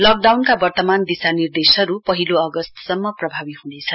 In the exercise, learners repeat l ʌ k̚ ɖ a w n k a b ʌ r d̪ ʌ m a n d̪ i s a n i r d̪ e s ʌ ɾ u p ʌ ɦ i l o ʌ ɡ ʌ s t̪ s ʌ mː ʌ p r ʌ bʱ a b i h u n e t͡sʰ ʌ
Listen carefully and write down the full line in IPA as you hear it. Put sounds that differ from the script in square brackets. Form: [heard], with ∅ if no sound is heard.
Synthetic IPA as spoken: l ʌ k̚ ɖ a w n k a b ʌ r [t̪] ʌ m a n d̪ i s a n i r d̪ e s ʌ ɾ u p ʌ ɦ i l o ʌ ɡ ʌ s t̪ s ʌ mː ʌ p r ʌ bʱ a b i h u n e t͡sʰ ʌ